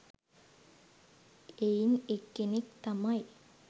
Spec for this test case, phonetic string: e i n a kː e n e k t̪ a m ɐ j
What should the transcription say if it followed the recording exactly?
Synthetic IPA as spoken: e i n e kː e n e k t̪ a m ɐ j